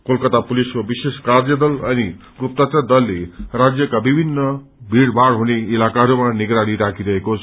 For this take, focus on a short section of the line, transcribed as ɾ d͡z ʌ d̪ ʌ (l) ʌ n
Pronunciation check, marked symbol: correct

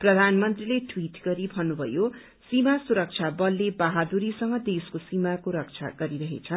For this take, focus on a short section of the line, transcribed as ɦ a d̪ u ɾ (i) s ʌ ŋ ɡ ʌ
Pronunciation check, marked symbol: correct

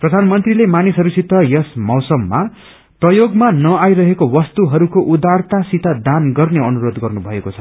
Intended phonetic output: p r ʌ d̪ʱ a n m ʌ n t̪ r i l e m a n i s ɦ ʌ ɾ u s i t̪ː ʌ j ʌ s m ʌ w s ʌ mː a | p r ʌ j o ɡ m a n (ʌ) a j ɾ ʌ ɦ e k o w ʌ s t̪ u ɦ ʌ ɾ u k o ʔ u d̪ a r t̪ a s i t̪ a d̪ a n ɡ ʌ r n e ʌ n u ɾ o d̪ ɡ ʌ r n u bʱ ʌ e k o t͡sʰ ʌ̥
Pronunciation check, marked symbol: correct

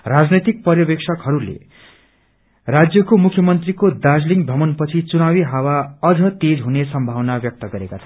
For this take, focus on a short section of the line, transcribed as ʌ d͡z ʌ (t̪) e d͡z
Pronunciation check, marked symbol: correct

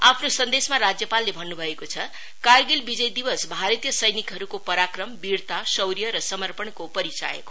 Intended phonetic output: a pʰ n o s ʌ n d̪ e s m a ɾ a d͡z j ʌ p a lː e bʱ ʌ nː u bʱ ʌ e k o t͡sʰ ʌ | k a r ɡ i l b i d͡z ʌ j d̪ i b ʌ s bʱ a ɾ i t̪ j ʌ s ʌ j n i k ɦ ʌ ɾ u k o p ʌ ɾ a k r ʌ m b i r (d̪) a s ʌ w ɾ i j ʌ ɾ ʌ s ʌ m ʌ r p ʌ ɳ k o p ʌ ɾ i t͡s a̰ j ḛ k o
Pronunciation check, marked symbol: incorrect: t̪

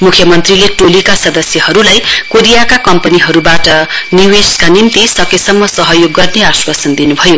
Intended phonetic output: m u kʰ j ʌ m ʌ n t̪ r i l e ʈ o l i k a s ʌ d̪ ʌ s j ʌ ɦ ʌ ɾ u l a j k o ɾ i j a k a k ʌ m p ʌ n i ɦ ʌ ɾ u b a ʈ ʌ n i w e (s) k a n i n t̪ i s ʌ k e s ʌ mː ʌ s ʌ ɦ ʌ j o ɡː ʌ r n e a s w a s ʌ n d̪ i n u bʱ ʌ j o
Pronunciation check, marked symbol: correct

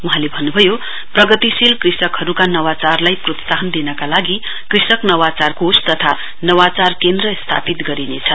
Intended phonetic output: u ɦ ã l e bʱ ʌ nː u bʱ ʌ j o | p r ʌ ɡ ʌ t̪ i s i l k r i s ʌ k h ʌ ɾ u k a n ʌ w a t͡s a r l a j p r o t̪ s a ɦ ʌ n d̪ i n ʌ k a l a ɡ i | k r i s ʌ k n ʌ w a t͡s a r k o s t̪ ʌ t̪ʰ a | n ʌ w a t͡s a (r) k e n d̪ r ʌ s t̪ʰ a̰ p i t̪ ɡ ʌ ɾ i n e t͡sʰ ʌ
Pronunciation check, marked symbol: correct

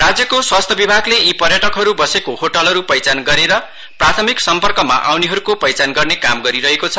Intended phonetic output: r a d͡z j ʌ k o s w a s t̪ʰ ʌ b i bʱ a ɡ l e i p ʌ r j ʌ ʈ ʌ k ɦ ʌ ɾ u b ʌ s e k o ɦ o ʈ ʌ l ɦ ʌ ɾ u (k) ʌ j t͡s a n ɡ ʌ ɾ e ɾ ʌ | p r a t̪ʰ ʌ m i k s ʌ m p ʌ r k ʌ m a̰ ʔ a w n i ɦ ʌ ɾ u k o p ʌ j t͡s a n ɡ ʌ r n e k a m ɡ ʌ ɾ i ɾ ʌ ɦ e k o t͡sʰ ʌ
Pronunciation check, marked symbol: incorrect: p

